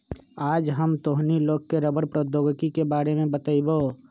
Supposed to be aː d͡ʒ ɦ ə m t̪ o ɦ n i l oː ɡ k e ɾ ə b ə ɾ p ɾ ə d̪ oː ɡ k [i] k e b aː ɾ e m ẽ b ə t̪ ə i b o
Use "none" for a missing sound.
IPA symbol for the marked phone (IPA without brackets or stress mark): i